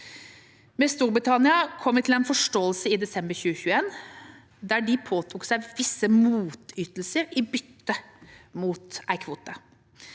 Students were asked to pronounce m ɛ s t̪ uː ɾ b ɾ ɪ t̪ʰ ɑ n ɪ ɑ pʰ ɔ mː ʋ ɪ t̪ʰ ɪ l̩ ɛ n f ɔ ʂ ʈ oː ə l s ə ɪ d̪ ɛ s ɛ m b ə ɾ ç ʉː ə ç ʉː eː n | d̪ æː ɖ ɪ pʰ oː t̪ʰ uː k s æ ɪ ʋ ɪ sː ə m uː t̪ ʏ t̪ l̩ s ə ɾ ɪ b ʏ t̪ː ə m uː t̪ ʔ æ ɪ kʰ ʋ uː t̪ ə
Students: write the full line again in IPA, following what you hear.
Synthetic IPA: m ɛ s t̪ uː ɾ b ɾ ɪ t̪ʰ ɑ n ɪ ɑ kʰ ɔ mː ʋ ɪ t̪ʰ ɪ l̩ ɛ n f ɔ ʂ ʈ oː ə l s ə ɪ d̪ ɛ s ɛ m b ə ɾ ç ʉː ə ç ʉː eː n | d̪ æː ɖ ɪ pʰ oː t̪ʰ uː k s æ ɪ ʋ ɪ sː ə m uː t̪ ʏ t̪ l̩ s ə ɾ ɪ b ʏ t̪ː ə m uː t̪ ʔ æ ɪ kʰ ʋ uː t̪ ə